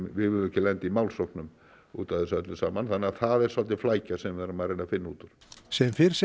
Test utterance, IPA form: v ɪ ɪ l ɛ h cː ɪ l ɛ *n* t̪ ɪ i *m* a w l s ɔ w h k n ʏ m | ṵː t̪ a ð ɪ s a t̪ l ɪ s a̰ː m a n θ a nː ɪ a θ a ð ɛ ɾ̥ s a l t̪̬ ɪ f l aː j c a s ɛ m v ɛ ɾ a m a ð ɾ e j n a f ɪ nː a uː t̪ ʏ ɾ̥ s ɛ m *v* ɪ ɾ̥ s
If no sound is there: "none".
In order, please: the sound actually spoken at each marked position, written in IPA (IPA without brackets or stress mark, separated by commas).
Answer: n, m, f